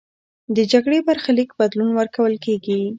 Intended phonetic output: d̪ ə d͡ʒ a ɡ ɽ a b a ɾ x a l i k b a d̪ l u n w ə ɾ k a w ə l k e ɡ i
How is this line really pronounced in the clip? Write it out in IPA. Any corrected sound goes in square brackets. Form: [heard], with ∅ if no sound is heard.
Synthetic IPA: d̪ ə d͡ʒ a ɡ ɽ [e] b a ɾ x a l i k b a d̪ l u n w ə ɾ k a w ə l k e ɡ i